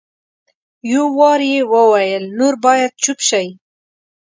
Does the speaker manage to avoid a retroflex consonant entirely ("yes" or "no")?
yes